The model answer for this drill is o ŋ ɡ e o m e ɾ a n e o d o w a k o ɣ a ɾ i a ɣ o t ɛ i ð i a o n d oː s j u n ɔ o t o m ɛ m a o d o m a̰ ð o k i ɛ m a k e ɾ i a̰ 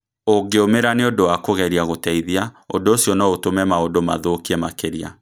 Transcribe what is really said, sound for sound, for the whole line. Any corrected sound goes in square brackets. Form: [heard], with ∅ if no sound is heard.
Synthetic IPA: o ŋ ɡ e o m e ɾ a n e o d o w a k o ɣ [ɛ] ɾ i a ɣ o t ɛ i ð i a o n d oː s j [ɔ] n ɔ o t o m ɛ m a o d o m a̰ ð o k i ɛ m a k e ɾ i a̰